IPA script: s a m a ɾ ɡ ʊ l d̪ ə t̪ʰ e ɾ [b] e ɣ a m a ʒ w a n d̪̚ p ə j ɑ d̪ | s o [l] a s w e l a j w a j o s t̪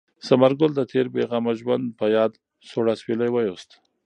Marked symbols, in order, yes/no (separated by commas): yes, no